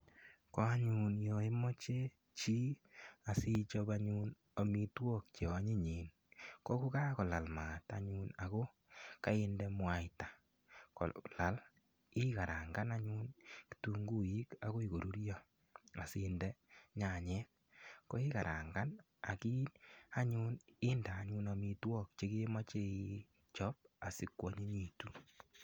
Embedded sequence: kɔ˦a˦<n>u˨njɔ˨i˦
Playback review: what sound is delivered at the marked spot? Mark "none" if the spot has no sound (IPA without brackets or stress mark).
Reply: ɲ